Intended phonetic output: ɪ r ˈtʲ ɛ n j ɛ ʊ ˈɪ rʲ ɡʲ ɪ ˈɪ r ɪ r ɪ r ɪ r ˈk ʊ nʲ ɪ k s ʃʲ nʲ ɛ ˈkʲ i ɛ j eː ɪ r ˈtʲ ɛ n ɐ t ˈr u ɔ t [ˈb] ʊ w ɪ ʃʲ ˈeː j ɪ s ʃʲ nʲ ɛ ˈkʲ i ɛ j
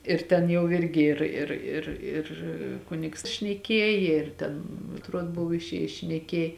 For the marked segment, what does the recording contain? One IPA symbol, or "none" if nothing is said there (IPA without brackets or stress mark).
b